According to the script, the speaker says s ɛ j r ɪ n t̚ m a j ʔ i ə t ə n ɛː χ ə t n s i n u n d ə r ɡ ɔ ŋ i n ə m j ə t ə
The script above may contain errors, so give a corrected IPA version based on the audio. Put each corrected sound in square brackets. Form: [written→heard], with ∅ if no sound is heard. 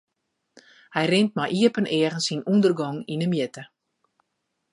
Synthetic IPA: [s→h] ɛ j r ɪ n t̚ m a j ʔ i ə [t→p] ə n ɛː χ ə [t→∅] n s i n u n d ə r ɡ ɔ ŋ i n ə m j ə t ə